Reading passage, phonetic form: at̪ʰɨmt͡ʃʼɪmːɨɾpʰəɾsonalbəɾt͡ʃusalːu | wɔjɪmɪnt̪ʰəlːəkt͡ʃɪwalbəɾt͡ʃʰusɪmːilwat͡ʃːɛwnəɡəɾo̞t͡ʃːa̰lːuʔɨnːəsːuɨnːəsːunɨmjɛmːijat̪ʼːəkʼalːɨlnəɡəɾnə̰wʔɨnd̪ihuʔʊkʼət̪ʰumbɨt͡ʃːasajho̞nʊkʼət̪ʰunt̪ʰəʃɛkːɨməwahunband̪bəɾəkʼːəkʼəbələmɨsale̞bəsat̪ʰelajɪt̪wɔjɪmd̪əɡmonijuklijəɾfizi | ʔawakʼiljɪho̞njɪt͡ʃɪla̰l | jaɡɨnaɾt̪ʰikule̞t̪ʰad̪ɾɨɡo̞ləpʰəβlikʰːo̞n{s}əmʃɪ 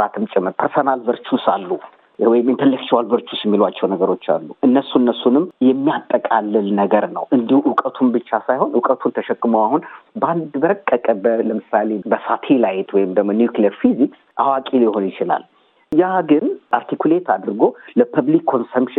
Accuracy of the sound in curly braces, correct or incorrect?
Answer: correct